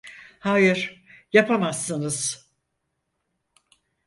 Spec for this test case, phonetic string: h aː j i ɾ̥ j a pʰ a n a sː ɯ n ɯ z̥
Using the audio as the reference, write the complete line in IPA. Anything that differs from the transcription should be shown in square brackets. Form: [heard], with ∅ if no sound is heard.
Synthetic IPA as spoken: h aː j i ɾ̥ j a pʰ a [m] a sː ɯ n ɯ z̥